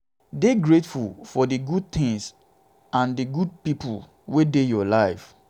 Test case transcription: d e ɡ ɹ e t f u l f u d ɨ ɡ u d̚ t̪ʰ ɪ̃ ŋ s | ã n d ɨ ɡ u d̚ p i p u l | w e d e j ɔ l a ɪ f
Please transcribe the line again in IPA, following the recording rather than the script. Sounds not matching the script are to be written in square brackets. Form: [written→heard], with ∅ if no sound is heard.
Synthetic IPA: d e ɡ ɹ e t f u l f [u→ɔ] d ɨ ɡ u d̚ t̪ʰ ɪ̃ ŋ s | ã n d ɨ ɡ u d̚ p i p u l | w e d e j ɔ l a ɪ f